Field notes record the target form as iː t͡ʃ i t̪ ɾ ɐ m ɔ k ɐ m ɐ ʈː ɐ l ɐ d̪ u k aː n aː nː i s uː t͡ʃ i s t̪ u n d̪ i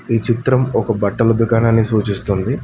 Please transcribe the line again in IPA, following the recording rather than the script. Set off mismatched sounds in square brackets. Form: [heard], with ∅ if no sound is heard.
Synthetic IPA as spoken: iː t͡ʃ i t̪ ɾ ɐ m ɔ k ɐ [b] ɐ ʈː ɐ l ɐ d̪ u k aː n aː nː i s uː t͡ʃ i s t̪ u n d̪ i